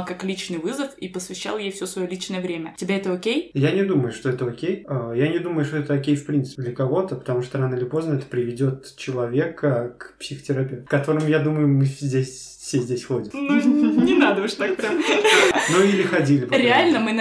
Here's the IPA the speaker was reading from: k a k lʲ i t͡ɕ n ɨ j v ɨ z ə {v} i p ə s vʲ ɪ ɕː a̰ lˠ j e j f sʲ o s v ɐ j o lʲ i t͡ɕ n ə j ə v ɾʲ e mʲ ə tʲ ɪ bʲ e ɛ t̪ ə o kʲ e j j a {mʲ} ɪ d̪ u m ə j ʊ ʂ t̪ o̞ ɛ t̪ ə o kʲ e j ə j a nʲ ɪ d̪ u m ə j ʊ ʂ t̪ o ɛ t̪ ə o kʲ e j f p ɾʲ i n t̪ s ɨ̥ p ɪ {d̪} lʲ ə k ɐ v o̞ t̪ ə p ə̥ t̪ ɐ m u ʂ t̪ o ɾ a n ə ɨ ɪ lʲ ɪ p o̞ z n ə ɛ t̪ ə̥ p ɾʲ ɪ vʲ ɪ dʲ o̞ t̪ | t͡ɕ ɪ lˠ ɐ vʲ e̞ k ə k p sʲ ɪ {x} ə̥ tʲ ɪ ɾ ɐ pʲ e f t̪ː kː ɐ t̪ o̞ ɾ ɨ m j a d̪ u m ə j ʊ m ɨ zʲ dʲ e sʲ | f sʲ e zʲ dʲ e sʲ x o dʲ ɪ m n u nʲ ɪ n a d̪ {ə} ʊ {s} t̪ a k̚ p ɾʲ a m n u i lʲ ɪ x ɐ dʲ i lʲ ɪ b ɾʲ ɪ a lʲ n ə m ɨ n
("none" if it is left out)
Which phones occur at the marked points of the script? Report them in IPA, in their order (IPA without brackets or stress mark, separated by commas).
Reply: f, nʲ, d̪, x, ə, ʂ